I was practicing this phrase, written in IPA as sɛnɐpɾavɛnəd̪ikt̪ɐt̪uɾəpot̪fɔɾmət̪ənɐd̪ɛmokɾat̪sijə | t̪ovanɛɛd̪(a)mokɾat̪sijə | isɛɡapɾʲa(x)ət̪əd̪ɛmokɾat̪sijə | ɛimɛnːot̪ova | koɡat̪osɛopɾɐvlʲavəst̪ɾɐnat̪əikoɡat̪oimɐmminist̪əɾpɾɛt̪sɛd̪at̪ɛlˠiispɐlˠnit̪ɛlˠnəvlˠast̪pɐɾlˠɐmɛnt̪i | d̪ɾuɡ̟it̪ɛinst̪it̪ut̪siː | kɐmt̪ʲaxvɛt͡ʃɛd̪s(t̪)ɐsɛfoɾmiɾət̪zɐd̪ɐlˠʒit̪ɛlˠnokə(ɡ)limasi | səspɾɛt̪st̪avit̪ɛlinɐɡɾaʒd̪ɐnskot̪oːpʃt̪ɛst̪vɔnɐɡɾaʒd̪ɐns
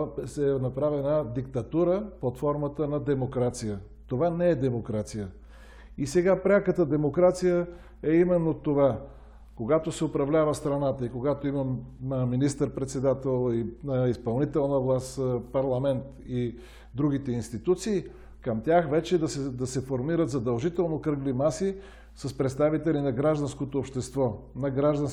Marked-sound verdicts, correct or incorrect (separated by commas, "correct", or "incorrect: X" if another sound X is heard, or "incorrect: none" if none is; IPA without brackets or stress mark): incorrect: ɛ, incorrect: k, incorrect: d̪, correct